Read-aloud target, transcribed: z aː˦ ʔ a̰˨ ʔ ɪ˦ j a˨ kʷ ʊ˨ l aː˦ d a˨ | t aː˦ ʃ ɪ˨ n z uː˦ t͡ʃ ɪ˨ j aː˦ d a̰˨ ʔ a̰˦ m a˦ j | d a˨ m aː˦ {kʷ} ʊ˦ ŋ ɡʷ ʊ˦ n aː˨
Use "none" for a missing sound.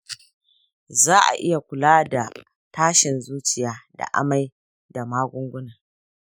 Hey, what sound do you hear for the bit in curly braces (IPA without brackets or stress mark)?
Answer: ɡʷ